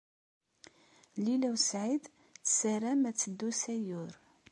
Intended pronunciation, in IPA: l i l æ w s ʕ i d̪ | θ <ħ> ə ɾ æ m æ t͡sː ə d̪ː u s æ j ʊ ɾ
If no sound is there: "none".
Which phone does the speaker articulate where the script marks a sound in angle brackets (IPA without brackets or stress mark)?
s